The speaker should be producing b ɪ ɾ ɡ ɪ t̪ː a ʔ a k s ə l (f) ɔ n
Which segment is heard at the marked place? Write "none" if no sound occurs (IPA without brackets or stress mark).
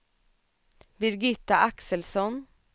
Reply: s